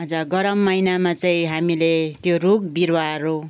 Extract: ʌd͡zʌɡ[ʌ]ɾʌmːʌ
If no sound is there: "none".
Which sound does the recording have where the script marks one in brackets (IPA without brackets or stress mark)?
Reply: ʌ